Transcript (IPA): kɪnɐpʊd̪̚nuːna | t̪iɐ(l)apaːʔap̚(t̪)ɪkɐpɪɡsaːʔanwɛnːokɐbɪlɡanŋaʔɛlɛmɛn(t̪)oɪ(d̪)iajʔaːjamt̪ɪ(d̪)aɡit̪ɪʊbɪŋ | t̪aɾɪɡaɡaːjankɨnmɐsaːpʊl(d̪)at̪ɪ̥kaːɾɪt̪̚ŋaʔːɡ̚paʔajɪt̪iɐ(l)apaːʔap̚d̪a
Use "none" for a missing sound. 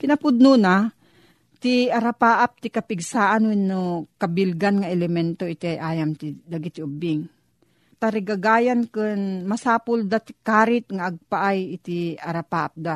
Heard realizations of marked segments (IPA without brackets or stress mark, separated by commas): ɾ, t̪, t̪, t̪, d̪, d̪, ɾ